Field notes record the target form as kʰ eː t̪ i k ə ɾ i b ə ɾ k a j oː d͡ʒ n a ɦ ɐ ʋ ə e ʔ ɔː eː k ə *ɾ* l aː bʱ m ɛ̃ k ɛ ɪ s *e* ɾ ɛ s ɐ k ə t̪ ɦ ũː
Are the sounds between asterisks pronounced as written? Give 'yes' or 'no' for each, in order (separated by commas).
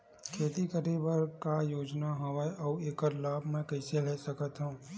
yes, yes